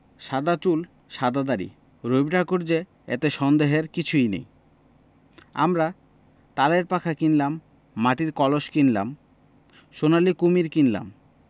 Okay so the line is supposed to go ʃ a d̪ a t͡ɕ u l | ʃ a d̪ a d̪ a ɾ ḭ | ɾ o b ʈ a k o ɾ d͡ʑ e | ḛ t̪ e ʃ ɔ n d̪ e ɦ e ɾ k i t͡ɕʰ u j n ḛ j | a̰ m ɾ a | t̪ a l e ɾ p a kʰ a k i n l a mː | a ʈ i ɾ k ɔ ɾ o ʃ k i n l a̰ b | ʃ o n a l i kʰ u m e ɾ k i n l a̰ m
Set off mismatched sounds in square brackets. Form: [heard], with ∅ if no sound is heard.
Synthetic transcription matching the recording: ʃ a d̪ a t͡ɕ u l | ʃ a d̪ a d̪ a ɾ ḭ | ɾ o b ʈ a k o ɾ d͡ʑ e | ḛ t̪ e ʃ ɔ n d̪ e ɦ e ɾ k i t͡ɕʰ u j n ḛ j | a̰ m ɾ a | t̪ a l e ɾ p a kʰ a k i n l a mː | a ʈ i ɾ k ɔ [l] o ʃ k i n l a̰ [m] | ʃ o n a l i [k] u m [i] ɾ k i n l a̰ m

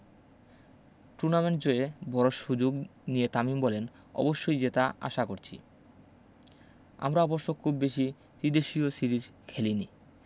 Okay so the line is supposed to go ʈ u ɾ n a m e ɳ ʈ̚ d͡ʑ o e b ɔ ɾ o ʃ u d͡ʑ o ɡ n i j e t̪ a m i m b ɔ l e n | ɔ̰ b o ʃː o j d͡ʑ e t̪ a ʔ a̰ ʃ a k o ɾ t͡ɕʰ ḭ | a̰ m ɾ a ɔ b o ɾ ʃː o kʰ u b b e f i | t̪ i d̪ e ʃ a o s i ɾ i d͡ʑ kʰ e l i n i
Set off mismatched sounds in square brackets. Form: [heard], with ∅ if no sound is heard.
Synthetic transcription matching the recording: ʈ u ɾ n a m e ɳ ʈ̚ d͡ʑ o e b ɔ ɾ o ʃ u d͡ʑ o ɡ n i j e t̪ a m i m b ɔ l e n | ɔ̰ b o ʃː o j d͡ʑ e t̪ a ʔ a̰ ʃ a k o ɾ t͡ɕʰ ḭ | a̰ m ɾ a ɔ b o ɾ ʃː o kʰ u b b e [ʃ] i | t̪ i d̪ e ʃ [i] o s i ɾ i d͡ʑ kʰ e l i n i

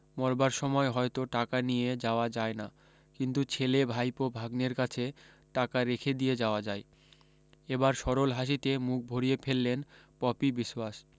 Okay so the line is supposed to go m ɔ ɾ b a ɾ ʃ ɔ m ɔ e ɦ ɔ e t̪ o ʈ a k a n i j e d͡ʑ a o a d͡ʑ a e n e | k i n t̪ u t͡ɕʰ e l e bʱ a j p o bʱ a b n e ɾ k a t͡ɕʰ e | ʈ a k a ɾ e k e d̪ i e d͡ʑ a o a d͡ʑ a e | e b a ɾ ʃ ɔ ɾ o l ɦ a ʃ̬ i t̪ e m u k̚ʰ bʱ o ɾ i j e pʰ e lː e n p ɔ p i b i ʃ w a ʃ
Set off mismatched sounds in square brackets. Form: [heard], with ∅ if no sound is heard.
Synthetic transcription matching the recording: m ɔ ɾ b a ɾ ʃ ɔ m ɔ e ɦ ɔ e t̪ o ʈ a k a n i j e d͡ʑ a o a d͡ʑ a e n [a] | k i n t̪ u t͡ɕʰ e l e bʱ a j p o bʱ a [ɡ] n e ɾ k a t͡ɕʰ e | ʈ a k a ɾ e [kʰ] e d̪ i e d͡ʑ a o a d͡ʑ a e | e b a ɾ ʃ ɔ ɾ o l ɦ a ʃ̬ i t̪ e m u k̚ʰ bʱ o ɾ i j e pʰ e lː e n p ɔ p i b i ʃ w a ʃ

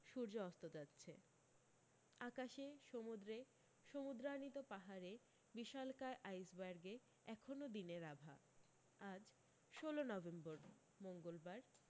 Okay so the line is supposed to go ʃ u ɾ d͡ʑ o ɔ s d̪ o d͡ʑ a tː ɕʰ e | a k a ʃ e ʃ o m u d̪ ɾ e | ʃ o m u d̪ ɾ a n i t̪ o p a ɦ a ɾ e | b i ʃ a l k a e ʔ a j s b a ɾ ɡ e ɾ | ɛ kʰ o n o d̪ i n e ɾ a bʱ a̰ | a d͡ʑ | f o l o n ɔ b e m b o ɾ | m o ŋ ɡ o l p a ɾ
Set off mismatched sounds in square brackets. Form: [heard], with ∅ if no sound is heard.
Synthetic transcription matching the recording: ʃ u ɾ d͡ʑ o ɔ s [t̪] o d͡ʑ a tː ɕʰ e | a k a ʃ e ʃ o m u d̪ ɾ e | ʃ o m u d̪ ɾ a n i t̪ o p a ɦ a ɾ e | b i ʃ a l k a e ʔ a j s b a ɾ ɡ e [∅] | ɛ kʰ o n o d̪ i n e ɾ a bʱ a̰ | a d͡ʑ | [ʃ] o l o n ɔ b e m b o ɾ | m o ŋ ɡ o l [b] a ɾ

